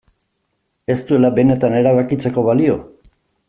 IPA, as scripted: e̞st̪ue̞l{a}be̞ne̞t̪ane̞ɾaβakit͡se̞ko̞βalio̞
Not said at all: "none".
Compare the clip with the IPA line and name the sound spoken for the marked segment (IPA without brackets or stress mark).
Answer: a